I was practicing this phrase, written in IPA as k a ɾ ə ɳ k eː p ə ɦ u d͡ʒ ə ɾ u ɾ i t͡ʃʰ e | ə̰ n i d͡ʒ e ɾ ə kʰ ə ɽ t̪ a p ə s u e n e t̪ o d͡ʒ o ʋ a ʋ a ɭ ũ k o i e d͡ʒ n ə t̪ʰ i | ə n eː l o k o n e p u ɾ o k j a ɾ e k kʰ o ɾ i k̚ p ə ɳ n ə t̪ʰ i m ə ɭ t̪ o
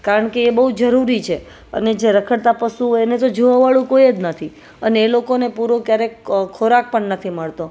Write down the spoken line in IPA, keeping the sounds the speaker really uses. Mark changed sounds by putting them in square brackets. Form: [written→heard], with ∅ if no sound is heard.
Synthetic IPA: k a ɾ ə ɳ k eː [p→b] ə ɦ u d͡ʒ ə ɾ u ɾ i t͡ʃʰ e | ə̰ n [i→e] d͡ʒ e ɾ ə kʰ ə ɽ t̪ a p ə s u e n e t̪ o d͡ʒ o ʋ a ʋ a ɭ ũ k o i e d͡ʒ n ə t̪ʰ i | ə n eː l o k o n e p u ɾ o k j a ɾ e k kʰ o ɾ [i→a] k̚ p ə ɳ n ə t̪ʰ i m ə ɭ t̪ o